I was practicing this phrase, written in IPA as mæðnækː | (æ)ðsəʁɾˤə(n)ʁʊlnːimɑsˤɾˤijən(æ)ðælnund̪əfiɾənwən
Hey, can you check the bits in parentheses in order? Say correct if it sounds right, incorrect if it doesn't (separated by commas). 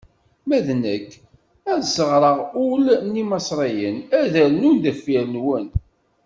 correct, incorrect, correct